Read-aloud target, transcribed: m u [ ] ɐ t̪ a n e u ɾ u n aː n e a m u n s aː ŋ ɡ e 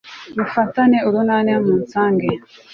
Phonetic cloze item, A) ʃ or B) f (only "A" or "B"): B